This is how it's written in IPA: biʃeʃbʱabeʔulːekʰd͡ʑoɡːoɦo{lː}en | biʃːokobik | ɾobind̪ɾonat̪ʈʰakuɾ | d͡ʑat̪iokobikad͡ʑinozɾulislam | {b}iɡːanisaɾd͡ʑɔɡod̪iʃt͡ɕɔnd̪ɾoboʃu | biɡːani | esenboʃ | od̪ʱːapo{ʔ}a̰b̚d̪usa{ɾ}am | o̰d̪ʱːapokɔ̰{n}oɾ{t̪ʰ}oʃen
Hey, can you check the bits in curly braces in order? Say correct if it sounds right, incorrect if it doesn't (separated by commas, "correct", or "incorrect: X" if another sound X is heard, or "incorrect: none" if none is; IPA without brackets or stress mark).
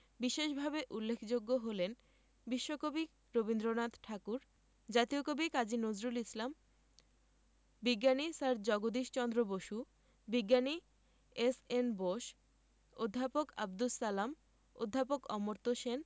incorrect: l, correct, incorrect: k, incorrect: l, incorrect: m, incorrect: t̪